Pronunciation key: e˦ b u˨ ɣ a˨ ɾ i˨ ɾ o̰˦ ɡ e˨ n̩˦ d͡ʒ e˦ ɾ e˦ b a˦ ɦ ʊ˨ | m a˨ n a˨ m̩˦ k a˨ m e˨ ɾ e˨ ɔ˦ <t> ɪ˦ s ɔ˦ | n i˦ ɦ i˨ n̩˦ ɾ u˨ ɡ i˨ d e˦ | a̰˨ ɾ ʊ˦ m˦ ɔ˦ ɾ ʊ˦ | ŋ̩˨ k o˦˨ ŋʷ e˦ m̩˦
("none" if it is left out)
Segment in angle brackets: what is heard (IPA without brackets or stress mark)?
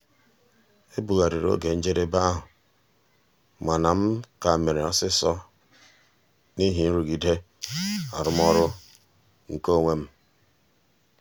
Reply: s